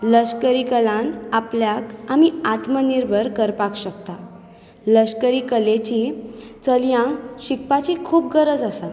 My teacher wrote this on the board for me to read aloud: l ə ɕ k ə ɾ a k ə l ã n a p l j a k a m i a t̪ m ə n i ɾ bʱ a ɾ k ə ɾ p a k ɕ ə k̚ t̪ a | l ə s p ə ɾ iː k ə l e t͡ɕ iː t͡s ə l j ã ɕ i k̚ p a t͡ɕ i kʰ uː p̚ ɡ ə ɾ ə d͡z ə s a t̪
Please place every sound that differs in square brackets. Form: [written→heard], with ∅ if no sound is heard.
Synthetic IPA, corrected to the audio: l ə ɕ k ə ɾ [a→i] k ə l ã n a p l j a k a m i a t̪ m ə n i ɾ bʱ [a→ə] ɾ k ə ɾ p a k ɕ ə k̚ t̪ a | l ə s [p→k] ə ɾ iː k ə l e t͡ɕ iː t͡s ə l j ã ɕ i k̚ p a t͡ɕ i kʰ uː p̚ ɡ ə ɾ ə d͡z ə s a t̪

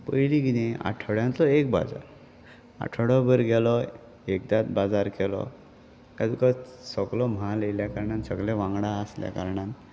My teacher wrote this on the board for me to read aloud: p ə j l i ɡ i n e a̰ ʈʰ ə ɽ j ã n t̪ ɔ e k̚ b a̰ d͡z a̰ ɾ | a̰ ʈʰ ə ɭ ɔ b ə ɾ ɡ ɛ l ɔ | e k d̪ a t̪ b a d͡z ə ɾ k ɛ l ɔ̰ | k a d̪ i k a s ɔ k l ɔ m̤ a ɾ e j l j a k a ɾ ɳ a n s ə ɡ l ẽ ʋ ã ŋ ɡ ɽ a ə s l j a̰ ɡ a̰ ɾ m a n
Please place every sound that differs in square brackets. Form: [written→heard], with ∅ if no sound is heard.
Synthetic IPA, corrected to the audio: p ə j l i ɡ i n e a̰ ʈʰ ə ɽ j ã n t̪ ɔ e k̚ b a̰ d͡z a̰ ɾ | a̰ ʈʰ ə [ɭ→ɽ] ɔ b ə ɾ ɡ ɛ l ɔ | e k d̪ a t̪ b a d͡z [ə→a] ɾ k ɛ l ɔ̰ | k a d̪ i k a s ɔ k l ɔ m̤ a [ɾ→l] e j l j a k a ɾ ɳ a n s ə ɡ l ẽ ʋ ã ŋ ɡ ɽ a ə s l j a̰ [ɡ→k] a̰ ɾ [m→ɳ] a n

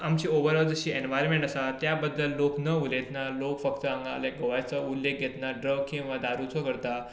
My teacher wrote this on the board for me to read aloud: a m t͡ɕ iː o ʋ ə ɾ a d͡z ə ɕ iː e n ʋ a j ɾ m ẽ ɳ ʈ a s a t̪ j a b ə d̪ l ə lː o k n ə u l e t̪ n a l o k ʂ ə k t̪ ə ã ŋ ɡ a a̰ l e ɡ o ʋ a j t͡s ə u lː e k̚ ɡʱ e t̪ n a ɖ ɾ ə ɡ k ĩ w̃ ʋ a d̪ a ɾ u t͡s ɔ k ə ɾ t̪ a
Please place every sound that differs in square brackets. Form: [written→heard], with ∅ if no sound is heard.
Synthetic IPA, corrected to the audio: a m t͡ɕ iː o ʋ ə ɾ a d͡z ə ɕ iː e n ʋ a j ɾ m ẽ ɳ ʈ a s a t̪ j a b ə d̪ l ə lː o k n ə u l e t̪ n a l o k [ʂ→f] ə k t̪ ə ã ŋ ɡ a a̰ l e ɡ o ʋ a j t͡s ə u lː e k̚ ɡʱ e t̪ n a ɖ ɾ ə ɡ k ĩ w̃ ʋ a d̪ a ɾ u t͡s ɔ k ə ɾ t̪ a

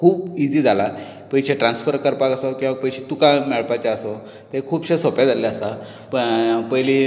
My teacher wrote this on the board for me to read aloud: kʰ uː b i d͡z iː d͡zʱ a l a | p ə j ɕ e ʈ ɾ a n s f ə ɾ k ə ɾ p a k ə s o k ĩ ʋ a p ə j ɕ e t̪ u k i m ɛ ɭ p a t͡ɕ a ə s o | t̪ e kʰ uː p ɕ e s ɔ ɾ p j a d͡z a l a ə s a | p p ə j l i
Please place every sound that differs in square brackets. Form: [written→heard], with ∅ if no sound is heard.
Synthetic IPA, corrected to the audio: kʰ uː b i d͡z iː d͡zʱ a l a | p ə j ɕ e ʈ ɾ a n s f ə ɾ k ə ɾ p a k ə s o k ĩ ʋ a p ə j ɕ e t̪ u k [i→a] m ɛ ɭ p a t͡ɕ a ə s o | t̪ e kʰ uː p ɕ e s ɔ [ɾ→∅] p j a d͡z a l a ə s a | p p ə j l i

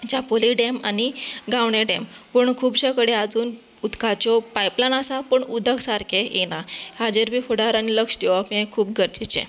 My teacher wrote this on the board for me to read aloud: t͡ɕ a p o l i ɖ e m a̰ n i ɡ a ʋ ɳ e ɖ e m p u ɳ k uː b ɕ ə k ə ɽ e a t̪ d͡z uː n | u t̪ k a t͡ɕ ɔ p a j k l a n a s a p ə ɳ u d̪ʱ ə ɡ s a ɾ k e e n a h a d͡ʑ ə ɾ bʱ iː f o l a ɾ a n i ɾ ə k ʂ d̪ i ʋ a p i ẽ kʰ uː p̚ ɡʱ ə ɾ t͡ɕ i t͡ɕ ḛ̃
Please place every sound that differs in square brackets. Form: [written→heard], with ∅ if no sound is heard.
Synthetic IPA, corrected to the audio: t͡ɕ a p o l i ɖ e m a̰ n i ɡ a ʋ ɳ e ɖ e m p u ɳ [k→kʰ] uː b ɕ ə k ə ɽ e a [t̪→∅] d͡z uː n | u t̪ k a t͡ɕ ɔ p a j [k→p] l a n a s a p ə ɳ u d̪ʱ ə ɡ s a ɾ k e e n a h a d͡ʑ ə ɾ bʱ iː f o [l→ɽ] a ɾ a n i [ɾ→l] ə k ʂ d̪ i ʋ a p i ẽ kʰ uː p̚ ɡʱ ə ɾ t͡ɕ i t͡ɕ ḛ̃

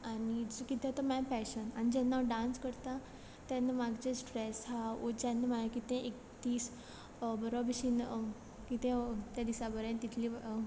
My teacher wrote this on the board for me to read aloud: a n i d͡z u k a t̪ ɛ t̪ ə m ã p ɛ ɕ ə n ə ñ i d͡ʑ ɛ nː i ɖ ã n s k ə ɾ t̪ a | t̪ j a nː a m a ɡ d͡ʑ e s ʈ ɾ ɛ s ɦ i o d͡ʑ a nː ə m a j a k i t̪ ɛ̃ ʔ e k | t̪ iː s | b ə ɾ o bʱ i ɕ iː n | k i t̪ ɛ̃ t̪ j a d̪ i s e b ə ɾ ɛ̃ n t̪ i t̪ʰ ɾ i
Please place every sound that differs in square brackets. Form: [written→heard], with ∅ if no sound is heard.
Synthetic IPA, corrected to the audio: a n i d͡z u k [a→i] t̪ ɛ t̪ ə m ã p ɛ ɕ ə n [ə→a] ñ i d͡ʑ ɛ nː [i→a] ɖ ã n s k ə ɾ t̪ a | t̪ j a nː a m a ɡ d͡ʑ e s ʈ ɾ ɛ s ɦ [i→a] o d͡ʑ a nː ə m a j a k i t̪ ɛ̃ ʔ e k | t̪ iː s | b ə ɾ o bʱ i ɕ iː n | k i t̪ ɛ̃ t̪ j a d̪ i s [e→a] b ə ɾ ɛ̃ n t̪ i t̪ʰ [ɾ→l] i

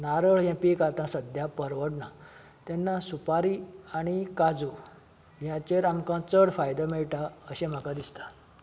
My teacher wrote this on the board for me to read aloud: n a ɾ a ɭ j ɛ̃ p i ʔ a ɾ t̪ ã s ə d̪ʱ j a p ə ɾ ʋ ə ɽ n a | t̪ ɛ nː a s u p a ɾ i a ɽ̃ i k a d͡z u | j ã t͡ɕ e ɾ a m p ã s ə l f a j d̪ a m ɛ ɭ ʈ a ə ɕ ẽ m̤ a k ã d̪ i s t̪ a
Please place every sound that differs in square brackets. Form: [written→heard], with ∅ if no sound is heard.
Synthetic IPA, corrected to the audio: n a ɾ [a→ə] ɭ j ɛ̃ p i [ʔ→k] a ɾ t̪ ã s ə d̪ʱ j a p ə ɾ ʋ ə ɽ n a | t̪ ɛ nː a s u p a ɾ i a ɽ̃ i k a d͡z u | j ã t͡ɕ e ɾ a m [p→k] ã [s→t͡s] ə [l→ɽ] f a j d̪ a m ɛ ɭ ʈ a ə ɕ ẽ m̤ a k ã d̪ i s t̪ a

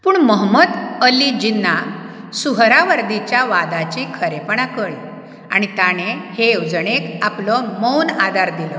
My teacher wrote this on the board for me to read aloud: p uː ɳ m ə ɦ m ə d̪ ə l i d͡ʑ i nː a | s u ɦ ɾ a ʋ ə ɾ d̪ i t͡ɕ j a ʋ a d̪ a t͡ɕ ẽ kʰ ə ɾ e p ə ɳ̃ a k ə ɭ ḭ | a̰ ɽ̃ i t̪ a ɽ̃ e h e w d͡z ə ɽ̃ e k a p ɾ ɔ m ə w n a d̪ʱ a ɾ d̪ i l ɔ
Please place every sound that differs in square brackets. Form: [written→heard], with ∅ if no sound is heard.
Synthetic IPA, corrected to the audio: p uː ɳ m ə ɦ m ə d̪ ə l i d͡ʑ i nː a | s u ɦ ɾ a ʋ ə ɾ d̪ i t͡ɕ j a ʋ a d̪ a t͡ɕ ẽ kʰ ə ɾ e p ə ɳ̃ a k ə ɭ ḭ | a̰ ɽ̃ i t̪ a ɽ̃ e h e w d͡z ə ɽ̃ e k a p [ɾ→l] ɔ m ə w n a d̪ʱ a ɾ d̪ i l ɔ

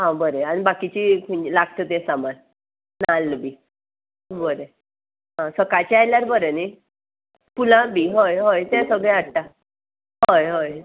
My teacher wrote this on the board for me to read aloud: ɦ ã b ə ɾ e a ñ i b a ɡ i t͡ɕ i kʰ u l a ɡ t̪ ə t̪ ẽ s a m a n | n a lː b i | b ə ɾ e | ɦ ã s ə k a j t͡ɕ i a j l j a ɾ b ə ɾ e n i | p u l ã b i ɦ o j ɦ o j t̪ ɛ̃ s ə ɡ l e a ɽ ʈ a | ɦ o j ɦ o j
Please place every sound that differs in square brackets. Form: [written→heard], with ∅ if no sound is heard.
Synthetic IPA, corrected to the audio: ɦ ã b ə ɾ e a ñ i b a [ɡ→k] i t͡ɕ i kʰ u l a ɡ t̪ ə t̪ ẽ s a m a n | n a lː b i | b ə ɾ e | ɦ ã s ə k a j t͡ɕ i a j l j a ɾ b ə ɾ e n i | p u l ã b i ɦ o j ɦ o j t̪ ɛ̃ s ə ɡ [l→ɭ] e a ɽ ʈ a | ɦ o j ɦ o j

